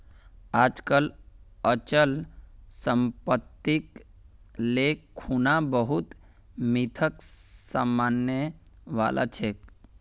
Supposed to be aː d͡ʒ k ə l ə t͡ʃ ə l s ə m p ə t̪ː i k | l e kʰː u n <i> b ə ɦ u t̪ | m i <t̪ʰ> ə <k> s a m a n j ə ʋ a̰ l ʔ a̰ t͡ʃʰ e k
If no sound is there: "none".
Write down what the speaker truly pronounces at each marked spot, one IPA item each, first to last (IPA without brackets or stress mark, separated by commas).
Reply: a, t̪ʰ, k